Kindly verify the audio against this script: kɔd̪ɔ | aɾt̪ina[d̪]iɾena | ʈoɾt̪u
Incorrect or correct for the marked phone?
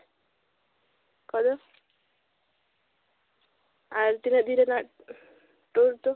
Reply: correct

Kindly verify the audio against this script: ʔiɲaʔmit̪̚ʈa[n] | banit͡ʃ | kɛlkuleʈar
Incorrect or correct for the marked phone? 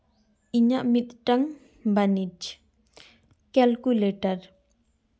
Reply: incorrect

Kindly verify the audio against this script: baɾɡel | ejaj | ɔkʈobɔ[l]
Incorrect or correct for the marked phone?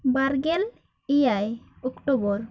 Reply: incorrect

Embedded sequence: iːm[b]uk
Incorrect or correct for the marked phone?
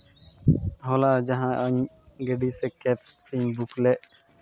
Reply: correct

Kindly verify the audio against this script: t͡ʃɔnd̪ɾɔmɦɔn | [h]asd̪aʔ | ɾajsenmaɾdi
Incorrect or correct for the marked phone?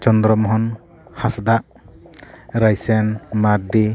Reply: correct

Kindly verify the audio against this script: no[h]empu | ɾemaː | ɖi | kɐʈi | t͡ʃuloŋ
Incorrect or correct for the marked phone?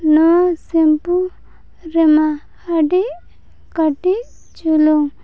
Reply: incorrect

